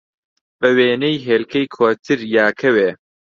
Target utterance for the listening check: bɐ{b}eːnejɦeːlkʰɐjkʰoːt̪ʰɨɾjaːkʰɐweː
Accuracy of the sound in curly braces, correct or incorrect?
incorrect: w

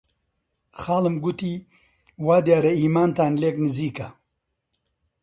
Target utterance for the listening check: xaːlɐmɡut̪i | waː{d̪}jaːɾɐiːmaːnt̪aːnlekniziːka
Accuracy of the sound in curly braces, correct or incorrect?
correct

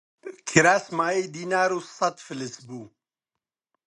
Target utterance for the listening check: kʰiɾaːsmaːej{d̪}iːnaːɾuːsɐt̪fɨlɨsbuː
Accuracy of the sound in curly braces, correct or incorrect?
correct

